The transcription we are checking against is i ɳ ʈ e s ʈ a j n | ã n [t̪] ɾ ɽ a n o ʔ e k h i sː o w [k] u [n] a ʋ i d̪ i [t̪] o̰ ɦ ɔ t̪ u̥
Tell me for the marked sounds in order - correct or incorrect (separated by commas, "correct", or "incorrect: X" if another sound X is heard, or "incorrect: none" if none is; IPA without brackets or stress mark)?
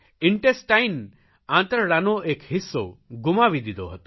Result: correct, incorrect: ɡ, incorrect: m, incorrect: d̪